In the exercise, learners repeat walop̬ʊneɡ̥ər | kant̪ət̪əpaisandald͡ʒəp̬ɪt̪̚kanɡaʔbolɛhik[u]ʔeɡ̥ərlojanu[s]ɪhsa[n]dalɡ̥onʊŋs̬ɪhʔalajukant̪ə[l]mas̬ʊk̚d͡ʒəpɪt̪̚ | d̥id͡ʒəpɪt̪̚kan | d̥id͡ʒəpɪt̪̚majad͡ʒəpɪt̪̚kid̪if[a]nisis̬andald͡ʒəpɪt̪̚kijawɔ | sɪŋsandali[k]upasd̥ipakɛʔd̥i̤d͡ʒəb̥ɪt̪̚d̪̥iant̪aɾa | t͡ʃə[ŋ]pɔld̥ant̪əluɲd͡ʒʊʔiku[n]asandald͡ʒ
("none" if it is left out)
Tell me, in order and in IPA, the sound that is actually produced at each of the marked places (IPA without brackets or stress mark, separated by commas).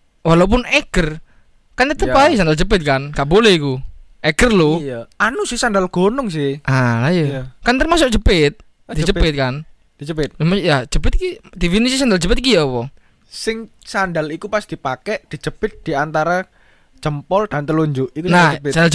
u, s, n, r, i, k, m, n